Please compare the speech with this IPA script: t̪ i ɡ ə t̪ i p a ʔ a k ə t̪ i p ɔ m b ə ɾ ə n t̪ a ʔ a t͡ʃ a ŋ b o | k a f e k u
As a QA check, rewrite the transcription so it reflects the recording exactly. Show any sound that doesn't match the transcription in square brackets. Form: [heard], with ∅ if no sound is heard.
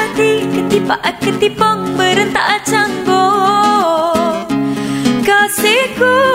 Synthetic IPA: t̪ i [k] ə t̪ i p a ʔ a k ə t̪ i p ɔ [ŋ] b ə ɾ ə n t̪ a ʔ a t͡ʃ a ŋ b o | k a [s] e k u